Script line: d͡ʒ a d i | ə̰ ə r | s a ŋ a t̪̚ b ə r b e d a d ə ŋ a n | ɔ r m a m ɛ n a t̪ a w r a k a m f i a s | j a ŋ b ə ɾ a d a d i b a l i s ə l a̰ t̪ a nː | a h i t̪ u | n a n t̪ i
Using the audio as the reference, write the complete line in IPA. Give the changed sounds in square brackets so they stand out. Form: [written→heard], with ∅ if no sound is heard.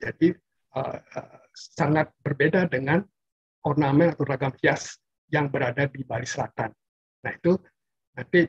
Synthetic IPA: d͡ʒ a d i | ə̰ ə [r→∅] | s a ŋ a t̪̚ b ə r b e d a d ə ŋ a n | ɔ r [m→n] a m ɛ n a t̪ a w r a [k→ɡ] a m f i a s | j a ŋ b ə ɾ a d a d i b a l i s ə l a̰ t̪ a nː | a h i t̪ u | n a n t̪ i